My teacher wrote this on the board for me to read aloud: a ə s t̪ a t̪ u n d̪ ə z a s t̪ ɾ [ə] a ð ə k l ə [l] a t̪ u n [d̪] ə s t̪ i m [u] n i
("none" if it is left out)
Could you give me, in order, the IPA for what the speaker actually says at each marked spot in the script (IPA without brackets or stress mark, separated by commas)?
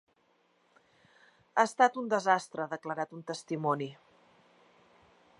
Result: ə, ɾ, t̪, ɔ